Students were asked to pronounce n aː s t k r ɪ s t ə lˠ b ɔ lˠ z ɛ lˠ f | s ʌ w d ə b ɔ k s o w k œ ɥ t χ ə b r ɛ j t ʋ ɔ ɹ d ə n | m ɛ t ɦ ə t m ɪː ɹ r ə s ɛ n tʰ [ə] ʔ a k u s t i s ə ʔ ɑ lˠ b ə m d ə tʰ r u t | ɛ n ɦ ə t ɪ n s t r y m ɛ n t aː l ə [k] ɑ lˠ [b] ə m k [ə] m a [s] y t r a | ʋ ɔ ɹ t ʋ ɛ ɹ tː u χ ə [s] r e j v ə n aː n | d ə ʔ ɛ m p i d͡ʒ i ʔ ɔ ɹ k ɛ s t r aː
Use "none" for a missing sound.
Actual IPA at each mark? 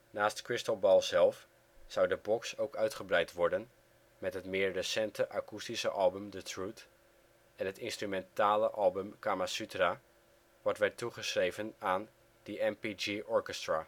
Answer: ə, ʔ, b, a, s, s

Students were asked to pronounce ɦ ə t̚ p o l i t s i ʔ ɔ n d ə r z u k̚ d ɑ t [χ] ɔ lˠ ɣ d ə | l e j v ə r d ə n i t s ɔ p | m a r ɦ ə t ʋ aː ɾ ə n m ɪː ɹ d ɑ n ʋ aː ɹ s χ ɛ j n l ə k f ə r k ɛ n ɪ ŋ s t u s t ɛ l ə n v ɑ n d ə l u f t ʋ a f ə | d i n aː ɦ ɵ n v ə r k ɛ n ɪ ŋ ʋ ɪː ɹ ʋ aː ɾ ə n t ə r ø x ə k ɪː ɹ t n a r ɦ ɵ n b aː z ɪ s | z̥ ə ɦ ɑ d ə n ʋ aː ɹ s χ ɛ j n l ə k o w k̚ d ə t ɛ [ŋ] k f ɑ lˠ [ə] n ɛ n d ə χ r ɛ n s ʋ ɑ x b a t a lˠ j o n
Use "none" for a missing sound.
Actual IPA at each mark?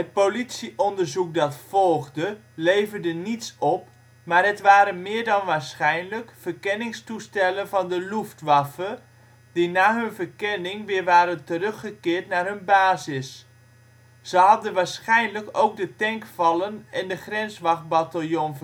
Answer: f, ŋ, ə

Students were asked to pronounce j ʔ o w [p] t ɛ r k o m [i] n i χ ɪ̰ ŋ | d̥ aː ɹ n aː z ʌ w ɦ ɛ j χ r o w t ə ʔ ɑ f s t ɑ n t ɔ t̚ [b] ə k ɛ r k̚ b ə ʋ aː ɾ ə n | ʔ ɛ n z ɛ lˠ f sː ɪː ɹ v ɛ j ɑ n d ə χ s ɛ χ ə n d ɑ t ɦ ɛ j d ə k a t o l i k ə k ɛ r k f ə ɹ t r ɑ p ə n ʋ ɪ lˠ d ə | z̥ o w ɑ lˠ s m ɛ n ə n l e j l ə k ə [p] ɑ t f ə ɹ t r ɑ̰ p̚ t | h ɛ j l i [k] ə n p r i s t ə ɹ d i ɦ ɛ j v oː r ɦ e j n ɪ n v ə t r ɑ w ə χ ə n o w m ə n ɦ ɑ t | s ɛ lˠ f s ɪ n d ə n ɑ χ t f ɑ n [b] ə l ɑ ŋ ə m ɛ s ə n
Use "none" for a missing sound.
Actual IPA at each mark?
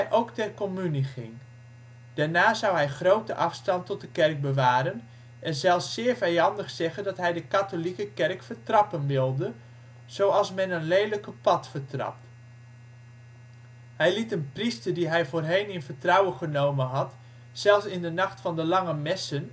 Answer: k, y, d, p, t, d

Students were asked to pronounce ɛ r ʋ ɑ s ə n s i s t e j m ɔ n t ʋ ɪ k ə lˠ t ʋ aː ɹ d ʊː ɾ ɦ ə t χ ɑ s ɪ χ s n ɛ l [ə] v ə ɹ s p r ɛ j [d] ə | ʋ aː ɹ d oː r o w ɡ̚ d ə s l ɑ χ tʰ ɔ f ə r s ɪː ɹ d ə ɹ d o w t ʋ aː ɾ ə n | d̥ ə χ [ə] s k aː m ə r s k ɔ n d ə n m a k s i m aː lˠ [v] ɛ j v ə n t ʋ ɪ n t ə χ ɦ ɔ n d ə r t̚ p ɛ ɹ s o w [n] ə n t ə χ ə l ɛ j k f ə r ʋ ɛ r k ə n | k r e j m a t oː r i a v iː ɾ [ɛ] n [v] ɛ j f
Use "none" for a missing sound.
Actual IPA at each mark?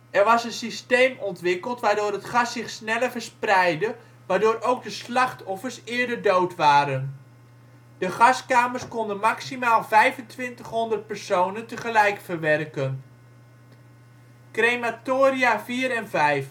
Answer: ə, d, ɑ, v, n, ɛ, v

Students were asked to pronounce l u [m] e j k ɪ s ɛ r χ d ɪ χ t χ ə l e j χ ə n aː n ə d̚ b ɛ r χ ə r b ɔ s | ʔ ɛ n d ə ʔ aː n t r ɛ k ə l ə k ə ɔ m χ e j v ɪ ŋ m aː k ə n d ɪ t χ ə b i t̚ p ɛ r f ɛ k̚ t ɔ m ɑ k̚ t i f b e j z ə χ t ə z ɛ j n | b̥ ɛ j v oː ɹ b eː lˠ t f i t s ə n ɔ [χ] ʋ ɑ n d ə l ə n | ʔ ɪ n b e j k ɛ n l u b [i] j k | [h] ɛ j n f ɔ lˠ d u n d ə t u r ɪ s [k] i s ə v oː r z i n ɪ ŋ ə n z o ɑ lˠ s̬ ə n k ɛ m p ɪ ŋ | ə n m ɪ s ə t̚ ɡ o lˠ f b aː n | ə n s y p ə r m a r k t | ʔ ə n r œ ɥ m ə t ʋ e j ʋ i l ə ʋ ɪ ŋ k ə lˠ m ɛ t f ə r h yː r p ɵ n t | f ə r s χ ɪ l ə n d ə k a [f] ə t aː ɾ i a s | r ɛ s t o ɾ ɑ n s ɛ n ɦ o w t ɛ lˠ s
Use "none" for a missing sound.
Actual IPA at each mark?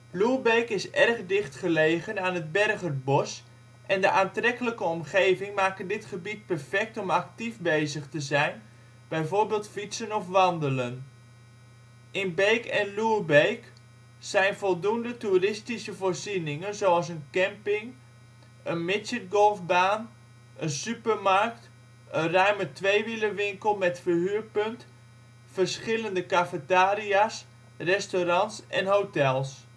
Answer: b, f, e, s, t, f

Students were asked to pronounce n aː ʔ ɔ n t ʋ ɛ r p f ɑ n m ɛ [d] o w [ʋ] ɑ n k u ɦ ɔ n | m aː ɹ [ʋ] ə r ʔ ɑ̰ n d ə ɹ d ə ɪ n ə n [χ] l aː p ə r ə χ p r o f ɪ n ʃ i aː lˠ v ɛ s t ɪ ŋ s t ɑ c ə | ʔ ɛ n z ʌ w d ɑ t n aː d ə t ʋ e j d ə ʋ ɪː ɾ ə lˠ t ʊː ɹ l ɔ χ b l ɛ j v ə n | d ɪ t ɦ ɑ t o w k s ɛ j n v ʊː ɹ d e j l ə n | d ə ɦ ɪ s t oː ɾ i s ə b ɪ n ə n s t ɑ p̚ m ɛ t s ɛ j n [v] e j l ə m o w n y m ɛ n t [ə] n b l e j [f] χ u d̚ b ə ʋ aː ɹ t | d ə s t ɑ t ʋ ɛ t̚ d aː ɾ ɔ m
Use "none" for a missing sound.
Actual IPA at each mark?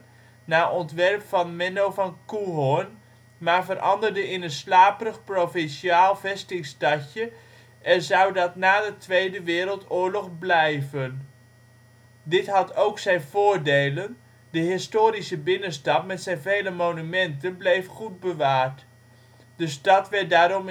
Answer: n, v, v, s, v, ə, f

